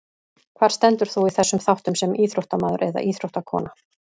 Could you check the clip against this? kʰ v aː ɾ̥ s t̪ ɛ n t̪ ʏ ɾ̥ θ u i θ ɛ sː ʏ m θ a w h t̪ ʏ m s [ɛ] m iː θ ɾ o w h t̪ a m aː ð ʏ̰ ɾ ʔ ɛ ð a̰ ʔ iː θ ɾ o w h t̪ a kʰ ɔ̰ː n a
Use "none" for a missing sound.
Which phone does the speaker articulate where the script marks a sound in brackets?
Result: ɛ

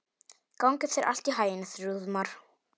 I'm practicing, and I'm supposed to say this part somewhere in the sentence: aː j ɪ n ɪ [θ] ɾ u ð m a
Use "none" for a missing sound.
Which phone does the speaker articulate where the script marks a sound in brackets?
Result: θ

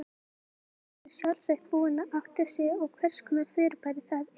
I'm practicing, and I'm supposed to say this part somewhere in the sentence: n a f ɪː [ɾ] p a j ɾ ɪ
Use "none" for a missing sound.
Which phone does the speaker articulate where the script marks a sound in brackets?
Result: ɾ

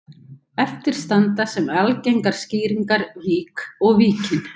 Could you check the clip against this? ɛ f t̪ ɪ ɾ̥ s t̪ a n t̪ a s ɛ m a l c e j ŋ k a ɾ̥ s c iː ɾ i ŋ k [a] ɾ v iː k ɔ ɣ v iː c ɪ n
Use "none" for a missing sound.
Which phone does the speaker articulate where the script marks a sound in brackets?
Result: a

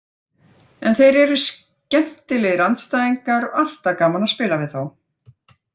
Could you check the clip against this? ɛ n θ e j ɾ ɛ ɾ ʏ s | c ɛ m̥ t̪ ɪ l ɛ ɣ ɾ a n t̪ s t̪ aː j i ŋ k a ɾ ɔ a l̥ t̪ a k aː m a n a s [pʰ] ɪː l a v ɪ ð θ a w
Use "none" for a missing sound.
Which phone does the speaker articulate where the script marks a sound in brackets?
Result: p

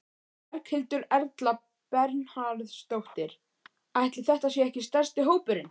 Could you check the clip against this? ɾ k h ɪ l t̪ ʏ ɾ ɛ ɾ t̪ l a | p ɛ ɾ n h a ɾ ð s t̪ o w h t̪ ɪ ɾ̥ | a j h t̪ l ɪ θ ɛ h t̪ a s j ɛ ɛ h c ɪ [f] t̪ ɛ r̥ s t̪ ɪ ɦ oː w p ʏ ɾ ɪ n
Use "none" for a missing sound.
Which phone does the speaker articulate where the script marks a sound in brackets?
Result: s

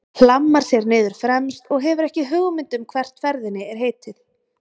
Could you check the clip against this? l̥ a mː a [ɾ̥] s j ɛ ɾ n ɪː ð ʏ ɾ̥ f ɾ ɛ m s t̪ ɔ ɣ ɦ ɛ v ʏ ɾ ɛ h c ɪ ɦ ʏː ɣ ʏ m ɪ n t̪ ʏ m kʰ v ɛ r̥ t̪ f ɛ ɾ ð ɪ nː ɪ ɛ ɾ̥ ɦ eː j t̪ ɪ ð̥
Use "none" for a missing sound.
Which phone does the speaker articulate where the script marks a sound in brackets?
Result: ɾ̥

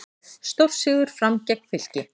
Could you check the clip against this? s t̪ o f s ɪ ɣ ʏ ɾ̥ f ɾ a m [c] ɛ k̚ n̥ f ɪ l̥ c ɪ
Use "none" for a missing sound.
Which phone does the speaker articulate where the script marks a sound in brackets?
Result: c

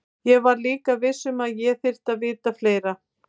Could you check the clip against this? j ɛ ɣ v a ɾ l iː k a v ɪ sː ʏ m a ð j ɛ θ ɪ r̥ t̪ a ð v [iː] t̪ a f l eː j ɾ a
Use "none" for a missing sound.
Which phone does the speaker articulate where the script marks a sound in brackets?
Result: ɪː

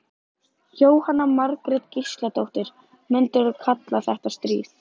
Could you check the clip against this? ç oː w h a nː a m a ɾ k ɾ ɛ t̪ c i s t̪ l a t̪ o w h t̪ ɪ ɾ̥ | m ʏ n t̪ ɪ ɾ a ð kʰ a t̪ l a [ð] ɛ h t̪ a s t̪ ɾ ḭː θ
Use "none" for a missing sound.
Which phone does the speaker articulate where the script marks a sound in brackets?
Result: θ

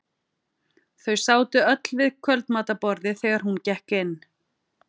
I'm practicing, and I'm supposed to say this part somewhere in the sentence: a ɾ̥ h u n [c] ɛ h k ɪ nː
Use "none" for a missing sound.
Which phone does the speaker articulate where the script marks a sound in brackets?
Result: c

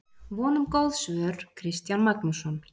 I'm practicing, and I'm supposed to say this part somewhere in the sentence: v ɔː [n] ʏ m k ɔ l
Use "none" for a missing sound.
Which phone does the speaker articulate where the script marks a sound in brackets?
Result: n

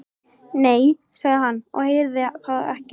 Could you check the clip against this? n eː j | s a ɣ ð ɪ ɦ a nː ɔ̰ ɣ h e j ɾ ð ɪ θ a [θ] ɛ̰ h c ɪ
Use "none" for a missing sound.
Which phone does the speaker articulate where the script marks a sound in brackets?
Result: ð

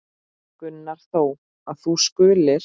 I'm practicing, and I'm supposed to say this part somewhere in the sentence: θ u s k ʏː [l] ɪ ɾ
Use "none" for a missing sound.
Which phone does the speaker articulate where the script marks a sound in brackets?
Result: l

